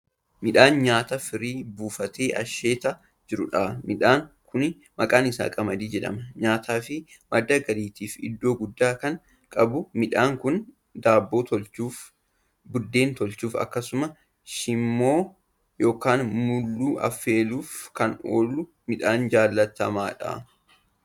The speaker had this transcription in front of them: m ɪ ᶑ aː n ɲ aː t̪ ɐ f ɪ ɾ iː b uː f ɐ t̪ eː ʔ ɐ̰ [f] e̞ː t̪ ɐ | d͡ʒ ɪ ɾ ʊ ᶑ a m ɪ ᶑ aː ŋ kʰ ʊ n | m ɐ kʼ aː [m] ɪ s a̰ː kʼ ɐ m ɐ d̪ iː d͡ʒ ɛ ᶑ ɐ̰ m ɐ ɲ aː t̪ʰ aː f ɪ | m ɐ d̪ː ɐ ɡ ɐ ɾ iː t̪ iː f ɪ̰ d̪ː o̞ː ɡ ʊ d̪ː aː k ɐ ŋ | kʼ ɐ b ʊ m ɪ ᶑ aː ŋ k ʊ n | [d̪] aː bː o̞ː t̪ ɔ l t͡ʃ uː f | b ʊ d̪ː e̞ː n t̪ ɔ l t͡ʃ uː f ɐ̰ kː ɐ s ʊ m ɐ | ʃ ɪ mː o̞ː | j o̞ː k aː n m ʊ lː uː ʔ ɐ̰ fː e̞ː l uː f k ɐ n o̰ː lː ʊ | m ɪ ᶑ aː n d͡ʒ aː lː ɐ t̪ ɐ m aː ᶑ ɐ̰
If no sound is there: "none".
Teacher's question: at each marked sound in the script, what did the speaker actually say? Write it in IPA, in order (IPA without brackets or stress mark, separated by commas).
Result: ʃ, n, d̪